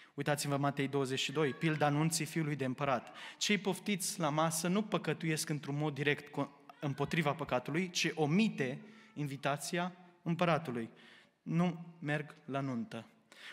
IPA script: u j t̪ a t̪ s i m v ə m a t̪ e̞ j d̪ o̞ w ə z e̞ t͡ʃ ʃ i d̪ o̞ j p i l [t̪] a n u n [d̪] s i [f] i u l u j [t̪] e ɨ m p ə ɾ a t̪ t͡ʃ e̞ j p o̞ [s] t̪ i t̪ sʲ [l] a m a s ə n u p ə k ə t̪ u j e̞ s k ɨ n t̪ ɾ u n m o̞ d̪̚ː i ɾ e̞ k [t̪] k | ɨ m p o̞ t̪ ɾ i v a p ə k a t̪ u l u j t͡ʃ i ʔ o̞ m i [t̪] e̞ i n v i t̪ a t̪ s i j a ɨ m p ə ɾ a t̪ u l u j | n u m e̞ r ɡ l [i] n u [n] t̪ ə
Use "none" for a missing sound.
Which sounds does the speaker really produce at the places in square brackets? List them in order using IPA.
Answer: d̪, t̪, f, d̪, f, l, t̪, t̪, a, n

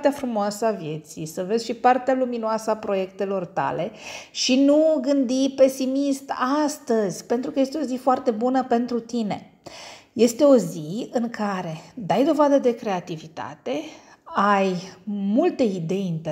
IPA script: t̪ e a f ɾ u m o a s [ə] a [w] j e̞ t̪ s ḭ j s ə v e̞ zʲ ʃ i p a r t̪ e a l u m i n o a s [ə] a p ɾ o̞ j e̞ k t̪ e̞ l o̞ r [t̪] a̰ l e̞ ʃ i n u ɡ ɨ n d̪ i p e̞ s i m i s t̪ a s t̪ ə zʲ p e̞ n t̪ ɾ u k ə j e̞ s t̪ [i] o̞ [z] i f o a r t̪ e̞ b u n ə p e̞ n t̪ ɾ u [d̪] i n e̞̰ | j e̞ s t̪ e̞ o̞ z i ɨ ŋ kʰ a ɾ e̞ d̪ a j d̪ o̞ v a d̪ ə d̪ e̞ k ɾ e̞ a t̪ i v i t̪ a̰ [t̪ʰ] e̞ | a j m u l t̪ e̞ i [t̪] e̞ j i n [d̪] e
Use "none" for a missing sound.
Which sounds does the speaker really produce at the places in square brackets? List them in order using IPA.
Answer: ə, v, ə, t̪, e, z, t̪, t̪, d̪, t̪

